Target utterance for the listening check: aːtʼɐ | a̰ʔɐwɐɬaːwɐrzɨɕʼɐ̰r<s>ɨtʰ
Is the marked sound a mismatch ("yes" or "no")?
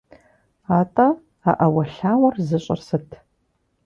no